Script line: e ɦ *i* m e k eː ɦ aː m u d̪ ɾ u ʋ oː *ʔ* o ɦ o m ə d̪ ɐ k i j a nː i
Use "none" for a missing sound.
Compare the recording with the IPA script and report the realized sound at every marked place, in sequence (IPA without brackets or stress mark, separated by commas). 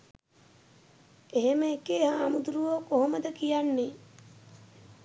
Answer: e, k